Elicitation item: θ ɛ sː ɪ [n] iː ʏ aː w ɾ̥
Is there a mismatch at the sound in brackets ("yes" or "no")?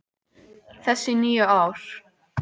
no